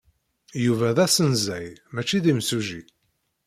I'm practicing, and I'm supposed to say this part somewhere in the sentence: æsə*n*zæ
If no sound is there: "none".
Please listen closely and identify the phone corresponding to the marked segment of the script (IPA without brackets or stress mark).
n